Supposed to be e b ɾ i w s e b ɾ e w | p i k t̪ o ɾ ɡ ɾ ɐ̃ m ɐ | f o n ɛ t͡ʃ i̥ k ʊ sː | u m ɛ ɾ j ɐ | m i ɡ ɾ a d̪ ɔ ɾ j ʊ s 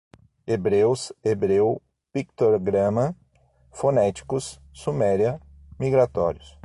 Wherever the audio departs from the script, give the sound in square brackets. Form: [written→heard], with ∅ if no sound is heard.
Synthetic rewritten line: e b ɾ [i→e] w s e b ɾ e w | p i k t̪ o ɾ ɡ ɾ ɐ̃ m ɐ | f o n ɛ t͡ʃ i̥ k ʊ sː | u m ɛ ɾ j ɐ | m i ɡ ɾ a [d̪→t̪] ɔ ɾ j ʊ s